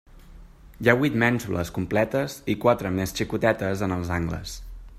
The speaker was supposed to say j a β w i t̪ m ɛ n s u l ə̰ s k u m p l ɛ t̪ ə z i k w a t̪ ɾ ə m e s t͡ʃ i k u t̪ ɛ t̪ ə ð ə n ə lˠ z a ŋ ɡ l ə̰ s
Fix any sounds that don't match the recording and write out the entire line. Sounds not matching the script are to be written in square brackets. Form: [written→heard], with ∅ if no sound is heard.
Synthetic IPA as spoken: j a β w i t̪ m ɛ n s u l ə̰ s k u m p l ɛ t̪ ə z i k w a t̪ ɾ ə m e s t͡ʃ i k u t̪ ɛ t̪ ə [ð→z] ə n ə lˠ z a ŋ ɡ l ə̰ s